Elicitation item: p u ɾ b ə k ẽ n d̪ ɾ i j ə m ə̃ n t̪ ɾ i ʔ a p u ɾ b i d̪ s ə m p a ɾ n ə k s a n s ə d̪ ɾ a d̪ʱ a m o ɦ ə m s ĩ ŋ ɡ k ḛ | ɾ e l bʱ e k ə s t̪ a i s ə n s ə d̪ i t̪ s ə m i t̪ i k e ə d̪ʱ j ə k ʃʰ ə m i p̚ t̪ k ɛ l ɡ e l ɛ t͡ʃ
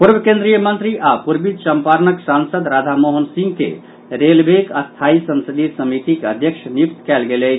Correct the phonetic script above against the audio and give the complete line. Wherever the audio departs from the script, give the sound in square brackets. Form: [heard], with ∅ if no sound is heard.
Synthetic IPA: p u ɾ b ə k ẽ n d̪ ɾ i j ə m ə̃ n t̪ ɾ i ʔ a p u ɾ b i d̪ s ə m p a ɾ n ə k s a n s ə d̪ ɾ a d̪ʱ a m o ɦ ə [n] s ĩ ŋ ɡ k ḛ | ɾ e l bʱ e k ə s [t̪ʰ] a i s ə n s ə d̪ i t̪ s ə m i t̪ i k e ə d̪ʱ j ə k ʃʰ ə [n] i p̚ t̪ k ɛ l ɡ e l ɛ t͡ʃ